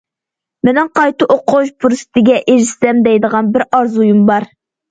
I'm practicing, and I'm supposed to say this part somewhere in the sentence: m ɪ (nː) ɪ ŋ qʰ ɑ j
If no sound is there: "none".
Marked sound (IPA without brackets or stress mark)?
n